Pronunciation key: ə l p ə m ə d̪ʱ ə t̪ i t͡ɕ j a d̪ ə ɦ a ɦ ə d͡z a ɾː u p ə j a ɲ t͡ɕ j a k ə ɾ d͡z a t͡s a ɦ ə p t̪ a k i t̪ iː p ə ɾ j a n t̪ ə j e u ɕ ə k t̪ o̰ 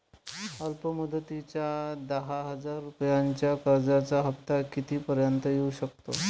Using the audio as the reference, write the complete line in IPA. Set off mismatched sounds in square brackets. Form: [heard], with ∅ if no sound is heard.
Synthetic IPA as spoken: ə l p ə m ə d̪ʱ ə t̪ i t͡ɕ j a d̪ ə ɦ a ɦ ə d͡z a ɾː u p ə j a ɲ t͡ɕ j a k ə ɾ d͡z a t͡s a ɦ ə p t̪ a k i t̪ iː p ə ɾ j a n t̪ ə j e u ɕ ə k t̪ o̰